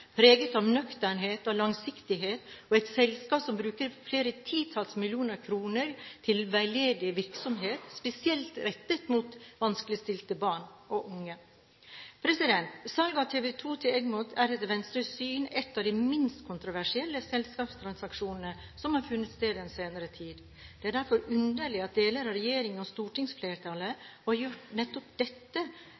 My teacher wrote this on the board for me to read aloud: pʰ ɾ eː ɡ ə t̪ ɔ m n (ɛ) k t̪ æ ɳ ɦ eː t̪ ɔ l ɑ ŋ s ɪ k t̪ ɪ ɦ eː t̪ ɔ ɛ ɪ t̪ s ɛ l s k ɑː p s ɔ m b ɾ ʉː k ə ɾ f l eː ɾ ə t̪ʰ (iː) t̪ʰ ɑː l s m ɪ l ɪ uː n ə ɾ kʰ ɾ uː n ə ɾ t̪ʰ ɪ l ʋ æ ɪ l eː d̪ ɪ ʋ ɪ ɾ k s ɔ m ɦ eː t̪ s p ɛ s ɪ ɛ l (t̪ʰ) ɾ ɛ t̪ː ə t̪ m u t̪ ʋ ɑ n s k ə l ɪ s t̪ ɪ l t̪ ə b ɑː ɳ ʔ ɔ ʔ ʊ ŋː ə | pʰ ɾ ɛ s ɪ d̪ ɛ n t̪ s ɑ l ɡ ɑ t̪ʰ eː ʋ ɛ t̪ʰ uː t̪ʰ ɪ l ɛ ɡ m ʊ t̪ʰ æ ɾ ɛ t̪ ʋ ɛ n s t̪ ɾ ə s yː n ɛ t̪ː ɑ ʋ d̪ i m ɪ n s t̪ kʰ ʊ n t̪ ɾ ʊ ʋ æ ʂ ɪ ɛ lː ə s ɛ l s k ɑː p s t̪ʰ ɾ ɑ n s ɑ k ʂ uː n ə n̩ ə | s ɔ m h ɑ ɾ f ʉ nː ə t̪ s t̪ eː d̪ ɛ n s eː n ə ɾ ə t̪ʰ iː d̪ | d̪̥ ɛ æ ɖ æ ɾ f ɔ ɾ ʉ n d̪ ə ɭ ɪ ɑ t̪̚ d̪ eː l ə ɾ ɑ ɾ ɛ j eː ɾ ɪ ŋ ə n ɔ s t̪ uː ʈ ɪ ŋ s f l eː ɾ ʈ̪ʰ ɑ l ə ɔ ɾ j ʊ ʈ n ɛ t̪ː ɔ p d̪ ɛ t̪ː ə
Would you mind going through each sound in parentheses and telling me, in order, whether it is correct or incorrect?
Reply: incorrect: œ, correct, incorrect: t̪

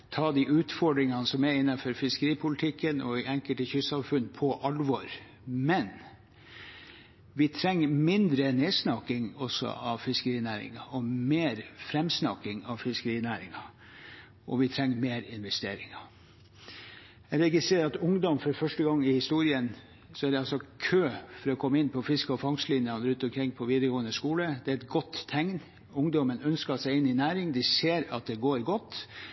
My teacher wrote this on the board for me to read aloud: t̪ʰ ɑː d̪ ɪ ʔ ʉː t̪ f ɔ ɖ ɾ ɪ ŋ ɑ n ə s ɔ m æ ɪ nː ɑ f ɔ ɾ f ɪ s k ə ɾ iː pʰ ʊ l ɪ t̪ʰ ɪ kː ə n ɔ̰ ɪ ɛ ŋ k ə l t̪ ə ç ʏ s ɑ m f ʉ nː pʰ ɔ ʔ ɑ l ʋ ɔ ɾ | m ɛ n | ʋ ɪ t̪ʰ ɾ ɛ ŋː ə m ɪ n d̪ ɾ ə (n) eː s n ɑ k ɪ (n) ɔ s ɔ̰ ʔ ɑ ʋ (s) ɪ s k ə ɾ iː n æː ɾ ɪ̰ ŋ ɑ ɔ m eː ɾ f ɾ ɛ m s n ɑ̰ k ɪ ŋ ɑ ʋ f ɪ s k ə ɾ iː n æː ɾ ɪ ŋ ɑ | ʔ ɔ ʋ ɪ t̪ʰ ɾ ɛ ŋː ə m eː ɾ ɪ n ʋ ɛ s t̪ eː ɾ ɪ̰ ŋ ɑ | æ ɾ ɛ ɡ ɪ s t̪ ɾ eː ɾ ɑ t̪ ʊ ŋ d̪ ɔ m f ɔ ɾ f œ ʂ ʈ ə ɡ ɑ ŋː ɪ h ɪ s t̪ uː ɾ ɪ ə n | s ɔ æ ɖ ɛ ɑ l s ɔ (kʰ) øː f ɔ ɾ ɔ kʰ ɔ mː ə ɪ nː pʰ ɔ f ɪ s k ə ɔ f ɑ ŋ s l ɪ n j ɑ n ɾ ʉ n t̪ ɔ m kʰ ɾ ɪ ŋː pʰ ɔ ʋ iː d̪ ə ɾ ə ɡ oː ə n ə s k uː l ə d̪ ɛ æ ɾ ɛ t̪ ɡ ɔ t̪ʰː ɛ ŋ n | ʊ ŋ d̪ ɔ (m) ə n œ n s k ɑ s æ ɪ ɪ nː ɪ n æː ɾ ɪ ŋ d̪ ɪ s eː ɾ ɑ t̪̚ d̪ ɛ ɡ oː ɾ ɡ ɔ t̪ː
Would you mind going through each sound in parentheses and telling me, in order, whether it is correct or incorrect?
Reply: correct, incorrect: ŋ, incorrect: f, correct, correct

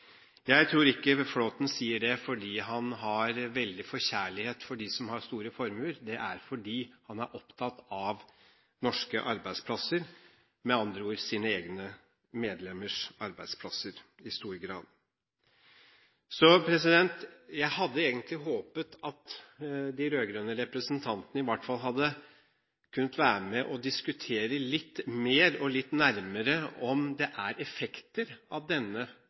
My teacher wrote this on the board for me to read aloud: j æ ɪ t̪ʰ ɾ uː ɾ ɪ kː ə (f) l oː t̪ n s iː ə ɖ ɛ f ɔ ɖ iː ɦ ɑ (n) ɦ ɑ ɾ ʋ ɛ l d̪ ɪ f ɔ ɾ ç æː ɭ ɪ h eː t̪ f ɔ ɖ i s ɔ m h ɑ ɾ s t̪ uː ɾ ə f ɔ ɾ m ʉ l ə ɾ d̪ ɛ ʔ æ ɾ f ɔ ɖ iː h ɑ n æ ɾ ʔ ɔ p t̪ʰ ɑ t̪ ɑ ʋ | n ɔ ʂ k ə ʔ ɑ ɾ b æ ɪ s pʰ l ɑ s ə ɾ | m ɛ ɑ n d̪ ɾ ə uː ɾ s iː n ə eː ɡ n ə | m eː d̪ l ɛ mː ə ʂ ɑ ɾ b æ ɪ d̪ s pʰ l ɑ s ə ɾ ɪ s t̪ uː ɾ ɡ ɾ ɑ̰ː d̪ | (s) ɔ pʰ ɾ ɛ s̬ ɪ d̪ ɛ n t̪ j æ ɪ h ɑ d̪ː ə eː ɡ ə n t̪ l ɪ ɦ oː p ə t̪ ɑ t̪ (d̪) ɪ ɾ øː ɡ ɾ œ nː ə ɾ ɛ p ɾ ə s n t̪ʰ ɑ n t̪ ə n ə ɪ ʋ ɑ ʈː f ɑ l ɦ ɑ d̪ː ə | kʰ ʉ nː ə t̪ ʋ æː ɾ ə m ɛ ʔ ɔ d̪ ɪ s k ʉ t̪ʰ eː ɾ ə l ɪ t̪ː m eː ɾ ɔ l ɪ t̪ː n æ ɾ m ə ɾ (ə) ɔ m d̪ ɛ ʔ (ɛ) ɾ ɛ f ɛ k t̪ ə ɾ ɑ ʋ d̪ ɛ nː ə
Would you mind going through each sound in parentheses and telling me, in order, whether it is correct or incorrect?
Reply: correct, correct, correct, correct, correct, incorrect: æ

